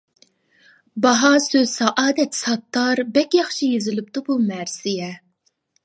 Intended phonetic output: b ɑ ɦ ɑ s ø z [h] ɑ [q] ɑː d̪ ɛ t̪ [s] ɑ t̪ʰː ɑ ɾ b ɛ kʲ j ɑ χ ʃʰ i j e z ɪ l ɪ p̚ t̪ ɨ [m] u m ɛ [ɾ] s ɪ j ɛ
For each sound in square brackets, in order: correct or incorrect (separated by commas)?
incorrect, incorrect, correct, incorrect, correct